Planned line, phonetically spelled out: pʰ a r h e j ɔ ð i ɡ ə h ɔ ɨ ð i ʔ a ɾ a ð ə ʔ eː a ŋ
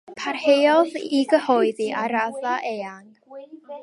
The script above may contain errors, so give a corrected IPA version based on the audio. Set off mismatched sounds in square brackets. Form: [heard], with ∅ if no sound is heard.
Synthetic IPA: pʰ a r h e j ɔ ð i ɡ ə h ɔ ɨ ð i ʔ a ɾ a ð [a] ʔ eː a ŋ